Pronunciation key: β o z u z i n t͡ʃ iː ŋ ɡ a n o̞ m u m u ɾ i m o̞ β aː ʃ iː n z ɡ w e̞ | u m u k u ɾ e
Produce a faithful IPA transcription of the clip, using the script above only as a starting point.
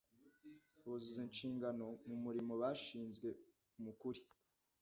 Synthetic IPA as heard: β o z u z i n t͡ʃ iː ŋ ɡ a n o̞ m u m u ɾ i m o̞ β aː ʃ iː n z ɡ w e̞ | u m u k u ɾ i